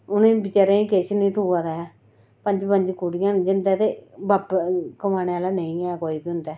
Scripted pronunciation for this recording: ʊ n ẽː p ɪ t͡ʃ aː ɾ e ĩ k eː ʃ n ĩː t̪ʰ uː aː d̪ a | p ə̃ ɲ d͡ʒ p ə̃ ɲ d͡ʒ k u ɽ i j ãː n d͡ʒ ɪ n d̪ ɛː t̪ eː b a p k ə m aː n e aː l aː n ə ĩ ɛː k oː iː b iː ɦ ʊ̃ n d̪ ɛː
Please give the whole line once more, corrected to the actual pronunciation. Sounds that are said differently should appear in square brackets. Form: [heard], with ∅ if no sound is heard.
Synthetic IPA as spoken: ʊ n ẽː [b] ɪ t͡ʃ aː ɾ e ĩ k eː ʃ n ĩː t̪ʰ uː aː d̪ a | p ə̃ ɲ d͡ʒ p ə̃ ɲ d͡ʒ k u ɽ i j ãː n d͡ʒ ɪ n d̪ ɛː t̪ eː b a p k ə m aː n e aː l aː n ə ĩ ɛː k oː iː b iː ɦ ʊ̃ n d̪ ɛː